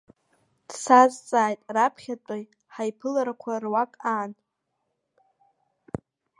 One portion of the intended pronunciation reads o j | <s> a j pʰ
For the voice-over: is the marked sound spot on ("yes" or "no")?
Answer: no